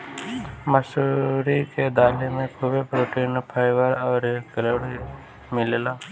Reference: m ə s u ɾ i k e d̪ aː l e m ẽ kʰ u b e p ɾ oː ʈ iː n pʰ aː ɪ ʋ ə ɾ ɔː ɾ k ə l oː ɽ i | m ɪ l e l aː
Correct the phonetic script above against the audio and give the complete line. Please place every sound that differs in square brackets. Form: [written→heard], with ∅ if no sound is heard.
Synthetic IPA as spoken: m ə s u ɾ i k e d̪ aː l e m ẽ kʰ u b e p ɾ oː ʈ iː n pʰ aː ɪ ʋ ə ɾ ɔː ɾ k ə l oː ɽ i | m ɪ l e l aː